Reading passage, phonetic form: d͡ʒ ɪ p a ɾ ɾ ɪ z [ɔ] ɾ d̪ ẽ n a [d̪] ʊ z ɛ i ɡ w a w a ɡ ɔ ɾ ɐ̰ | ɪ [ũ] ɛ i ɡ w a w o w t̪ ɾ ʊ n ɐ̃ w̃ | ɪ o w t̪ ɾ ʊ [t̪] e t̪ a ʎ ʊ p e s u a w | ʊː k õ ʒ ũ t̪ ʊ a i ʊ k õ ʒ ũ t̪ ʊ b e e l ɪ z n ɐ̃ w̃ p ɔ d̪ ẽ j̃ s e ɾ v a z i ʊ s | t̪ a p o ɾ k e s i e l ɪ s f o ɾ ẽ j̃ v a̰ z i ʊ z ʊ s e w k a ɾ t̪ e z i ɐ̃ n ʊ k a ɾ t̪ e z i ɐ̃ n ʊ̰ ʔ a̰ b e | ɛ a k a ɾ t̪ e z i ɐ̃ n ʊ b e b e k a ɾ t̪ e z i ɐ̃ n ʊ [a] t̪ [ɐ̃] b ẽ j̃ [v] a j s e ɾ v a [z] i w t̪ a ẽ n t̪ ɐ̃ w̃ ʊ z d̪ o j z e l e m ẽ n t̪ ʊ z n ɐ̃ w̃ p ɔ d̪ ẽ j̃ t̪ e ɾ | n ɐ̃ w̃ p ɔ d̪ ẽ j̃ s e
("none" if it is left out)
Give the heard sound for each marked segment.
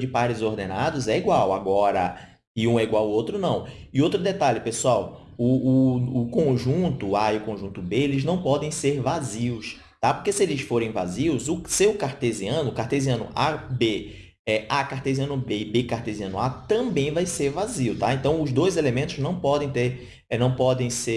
o, d̪, ũ, d̪, a, ɐ̃, v, z

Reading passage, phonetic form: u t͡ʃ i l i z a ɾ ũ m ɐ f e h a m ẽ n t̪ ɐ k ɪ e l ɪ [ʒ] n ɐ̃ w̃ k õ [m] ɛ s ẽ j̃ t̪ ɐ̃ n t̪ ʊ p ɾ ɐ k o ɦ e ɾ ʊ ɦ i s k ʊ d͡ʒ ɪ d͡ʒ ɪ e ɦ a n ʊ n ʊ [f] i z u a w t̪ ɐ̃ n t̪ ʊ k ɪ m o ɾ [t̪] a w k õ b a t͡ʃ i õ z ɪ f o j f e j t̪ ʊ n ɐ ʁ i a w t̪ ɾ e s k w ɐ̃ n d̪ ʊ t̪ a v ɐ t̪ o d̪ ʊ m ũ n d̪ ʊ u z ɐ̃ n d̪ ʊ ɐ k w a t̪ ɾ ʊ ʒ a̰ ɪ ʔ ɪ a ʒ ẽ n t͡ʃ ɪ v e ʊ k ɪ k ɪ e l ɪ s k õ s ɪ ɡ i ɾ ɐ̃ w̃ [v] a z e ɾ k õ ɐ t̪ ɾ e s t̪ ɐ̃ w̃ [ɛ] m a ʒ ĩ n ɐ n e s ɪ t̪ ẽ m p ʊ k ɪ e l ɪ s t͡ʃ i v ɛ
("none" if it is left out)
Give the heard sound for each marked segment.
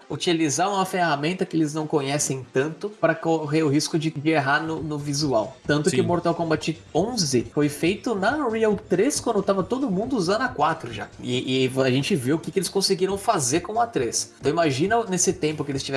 z, ɲ, v, t̪, f, i

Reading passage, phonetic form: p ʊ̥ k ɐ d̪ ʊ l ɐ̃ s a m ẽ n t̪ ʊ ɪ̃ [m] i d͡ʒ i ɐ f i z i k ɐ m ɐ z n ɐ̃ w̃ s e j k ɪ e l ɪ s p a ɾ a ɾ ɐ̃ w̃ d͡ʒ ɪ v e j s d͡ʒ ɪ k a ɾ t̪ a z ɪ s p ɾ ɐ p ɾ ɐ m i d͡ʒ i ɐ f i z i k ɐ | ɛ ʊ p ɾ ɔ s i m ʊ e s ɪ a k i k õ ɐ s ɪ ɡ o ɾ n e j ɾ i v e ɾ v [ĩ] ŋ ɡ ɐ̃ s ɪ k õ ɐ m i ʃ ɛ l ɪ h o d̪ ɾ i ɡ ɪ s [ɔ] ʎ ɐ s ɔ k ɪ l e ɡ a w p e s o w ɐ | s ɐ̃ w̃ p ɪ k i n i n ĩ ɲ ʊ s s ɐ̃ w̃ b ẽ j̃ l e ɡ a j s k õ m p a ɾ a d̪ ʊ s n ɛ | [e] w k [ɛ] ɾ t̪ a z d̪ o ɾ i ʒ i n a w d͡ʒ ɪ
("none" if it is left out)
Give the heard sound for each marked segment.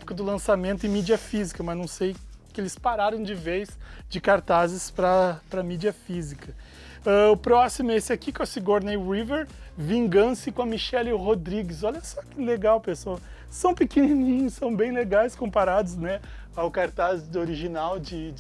m, ĩ, ɔ, a, a

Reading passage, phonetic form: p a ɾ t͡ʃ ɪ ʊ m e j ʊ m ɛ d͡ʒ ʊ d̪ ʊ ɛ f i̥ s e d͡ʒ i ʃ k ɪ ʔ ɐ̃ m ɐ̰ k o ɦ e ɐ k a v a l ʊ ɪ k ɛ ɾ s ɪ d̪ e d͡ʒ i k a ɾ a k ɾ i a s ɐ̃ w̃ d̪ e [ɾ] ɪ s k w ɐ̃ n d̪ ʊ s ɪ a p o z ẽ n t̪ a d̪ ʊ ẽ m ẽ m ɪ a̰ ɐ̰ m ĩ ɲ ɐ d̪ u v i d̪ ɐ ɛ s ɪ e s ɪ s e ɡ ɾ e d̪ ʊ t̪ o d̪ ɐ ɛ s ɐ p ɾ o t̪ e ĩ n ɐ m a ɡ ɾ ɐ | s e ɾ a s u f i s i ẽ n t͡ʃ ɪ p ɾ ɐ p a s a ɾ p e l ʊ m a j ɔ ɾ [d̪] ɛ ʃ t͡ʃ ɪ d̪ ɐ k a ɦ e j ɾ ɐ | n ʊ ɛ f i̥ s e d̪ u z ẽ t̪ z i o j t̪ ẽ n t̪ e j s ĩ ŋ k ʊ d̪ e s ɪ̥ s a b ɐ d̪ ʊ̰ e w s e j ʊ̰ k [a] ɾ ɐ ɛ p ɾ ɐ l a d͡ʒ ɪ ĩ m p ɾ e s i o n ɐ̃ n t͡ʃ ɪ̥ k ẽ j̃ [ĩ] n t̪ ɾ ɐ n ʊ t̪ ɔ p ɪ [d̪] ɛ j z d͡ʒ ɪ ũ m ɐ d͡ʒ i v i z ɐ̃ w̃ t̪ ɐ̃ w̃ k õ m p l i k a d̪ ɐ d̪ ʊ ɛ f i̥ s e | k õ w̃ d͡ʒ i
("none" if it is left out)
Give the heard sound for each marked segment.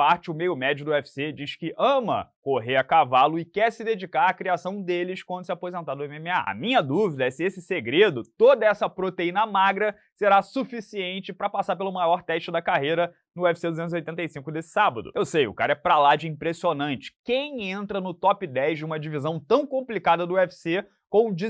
l, t̪, a, ẽ, d̪

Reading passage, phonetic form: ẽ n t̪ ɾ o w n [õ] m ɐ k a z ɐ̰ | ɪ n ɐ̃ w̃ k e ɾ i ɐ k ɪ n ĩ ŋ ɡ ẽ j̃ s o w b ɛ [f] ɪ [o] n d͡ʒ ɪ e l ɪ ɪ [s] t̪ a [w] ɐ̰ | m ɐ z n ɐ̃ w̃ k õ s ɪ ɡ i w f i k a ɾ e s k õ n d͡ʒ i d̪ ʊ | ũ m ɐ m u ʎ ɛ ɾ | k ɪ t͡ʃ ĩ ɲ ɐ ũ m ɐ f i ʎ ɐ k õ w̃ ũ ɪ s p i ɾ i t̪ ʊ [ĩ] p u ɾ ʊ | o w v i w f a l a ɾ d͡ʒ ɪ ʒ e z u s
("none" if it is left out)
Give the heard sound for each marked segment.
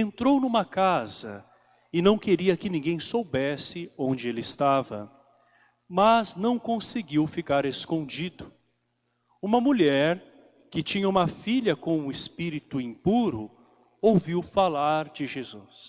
ũ, s, õ, s, v, ĩ

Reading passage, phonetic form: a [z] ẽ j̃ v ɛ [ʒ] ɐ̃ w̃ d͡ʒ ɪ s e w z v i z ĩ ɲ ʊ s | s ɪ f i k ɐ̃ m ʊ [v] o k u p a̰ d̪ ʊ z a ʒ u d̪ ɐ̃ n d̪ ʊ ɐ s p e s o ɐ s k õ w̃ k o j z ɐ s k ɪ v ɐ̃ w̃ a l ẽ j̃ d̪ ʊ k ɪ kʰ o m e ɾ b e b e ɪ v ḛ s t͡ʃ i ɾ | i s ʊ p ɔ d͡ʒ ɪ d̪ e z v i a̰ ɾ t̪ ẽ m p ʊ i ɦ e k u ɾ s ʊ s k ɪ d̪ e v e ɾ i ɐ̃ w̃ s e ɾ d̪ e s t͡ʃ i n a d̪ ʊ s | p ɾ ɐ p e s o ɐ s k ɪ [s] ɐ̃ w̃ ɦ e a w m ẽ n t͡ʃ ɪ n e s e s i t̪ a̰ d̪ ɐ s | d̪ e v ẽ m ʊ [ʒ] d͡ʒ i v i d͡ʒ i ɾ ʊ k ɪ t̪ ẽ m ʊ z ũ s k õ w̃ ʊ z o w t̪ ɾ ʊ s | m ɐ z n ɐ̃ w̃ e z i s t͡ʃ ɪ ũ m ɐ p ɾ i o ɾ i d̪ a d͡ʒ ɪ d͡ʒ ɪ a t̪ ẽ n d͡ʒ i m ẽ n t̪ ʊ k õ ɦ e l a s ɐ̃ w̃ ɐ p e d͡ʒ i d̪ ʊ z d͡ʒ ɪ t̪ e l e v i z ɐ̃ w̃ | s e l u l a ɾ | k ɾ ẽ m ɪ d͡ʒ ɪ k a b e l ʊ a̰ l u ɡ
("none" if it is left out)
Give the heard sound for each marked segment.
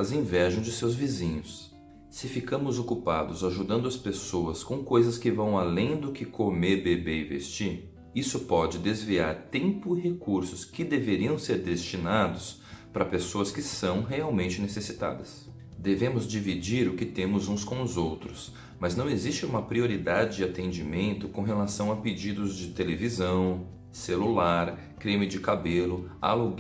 z, ʒ, z, s, z

